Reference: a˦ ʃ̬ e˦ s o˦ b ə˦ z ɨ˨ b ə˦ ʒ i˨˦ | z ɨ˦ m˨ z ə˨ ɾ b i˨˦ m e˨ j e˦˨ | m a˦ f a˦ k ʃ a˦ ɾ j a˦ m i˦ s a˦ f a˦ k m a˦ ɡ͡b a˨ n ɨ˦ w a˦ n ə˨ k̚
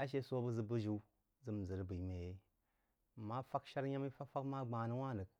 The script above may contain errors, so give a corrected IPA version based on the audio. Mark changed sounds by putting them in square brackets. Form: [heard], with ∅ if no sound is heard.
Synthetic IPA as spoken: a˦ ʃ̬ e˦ s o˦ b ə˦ z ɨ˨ b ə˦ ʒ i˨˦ | z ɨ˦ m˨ z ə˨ ɾ b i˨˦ m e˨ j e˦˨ | m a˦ f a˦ k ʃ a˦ ɾ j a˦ m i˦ [f] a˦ f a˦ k m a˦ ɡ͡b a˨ n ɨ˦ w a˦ n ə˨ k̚

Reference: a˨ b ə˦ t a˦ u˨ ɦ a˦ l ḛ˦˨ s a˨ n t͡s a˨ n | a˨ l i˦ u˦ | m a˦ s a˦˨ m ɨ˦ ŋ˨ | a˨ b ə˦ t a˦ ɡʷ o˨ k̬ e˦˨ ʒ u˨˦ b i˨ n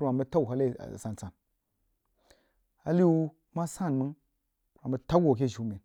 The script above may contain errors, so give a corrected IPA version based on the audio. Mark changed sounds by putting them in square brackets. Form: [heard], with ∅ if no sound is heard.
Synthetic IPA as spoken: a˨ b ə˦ t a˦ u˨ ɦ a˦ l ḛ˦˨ s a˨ n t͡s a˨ n | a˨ l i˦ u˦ | m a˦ s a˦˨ m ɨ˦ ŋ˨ | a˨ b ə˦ t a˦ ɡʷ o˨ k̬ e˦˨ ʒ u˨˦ [m] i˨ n

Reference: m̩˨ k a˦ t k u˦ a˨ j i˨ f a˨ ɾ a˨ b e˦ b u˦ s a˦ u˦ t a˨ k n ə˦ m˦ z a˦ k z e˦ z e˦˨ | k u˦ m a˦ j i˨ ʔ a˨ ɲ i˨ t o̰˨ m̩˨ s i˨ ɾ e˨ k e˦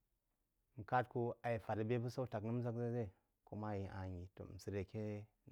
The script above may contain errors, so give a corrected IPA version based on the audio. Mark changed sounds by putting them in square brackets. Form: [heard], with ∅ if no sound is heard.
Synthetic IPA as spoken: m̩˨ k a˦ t k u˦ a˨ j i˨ f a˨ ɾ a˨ b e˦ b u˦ s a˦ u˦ t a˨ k n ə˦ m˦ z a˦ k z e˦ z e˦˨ | k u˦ m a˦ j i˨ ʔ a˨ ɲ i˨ t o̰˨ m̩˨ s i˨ ɾ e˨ k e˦

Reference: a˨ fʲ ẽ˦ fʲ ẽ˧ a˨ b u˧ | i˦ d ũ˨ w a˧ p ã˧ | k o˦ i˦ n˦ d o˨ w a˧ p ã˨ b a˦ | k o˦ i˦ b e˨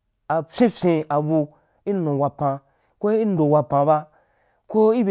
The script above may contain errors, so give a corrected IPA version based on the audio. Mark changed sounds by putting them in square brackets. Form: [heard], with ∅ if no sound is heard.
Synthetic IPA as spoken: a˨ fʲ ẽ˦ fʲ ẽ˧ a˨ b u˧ | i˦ [n] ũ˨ w a˧ p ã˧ | k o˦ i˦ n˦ d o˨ w a˧ p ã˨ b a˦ | k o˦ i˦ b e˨

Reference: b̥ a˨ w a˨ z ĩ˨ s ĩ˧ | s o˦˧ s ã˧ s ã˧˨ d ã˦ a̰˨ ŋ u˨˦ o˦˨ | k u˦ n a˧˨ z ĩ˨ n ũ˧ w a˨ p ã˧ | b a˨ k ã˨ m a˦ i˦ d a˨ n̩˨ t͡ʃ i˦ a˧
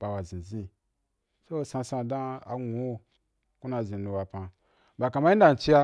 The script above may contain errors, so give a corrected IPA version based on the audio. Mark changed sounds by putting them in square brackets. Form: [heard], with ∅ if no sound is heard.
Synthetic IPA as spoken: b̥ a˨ w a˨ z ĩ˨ [z] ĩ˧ | s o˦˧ s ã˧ s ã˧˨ d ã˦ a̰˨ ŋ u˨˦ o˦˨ | k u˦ n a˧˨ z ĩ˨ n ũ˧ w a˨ p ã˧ | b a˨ k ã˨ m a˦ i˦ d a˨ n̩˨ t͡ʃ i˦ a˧

